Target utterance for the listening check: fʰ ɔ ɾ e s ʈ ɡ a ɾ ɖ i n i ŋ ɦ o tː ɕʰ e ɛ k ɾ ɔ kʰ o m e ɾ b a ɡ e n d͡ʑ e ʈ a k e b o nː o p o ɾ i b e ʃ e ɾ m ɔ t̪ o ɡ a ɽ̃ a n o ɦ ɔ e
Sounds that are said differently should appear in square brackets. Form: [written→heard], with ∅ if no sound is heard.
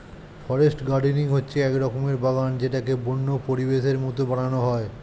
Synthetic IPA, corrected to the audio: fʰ ɔ ɾ e s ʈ ɡ a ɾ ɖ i n i ŋ ɦ o tː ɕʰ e ɛ k ɾ ɔ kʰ o m e ɾ b a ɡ [e→a] n d͡ʑ e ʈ a k e b o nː o p o ɾ i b e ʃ e ɾ m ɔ t̪ o [ɡ→b] a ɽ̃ a n o ɦ ɔ e